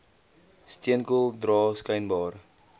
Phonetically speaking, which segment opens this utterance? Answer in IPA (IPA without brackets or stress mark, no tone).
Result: s